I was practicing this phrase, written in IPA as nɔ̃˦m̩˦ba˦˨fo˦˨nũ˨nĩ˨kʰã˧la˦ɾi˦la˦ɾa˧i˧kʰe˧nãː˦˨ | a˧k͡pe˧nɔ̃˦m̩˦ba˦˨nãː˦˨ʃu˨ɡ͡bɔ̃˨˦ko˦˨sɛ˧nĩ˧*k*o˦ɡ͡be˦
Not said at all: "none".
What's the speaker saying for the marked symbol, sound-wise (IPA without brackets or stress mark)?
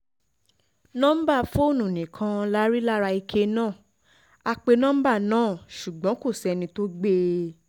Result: t